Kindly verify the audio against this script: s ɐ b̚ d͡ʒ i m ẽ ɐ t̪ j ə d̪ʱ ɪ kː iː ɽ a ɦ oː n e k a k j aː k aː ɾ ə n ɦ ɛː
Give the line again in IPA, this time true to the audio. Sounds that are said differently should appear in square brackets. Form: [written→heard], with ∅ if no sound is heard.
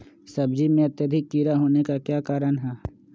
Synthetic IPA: s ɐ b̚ d͡ʒ i m ẽ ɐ t̪ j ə d̪ʱ ɪ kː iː [ɽ→ɾ] a ɦ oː n e k a k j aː k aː ɾ ə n ɦ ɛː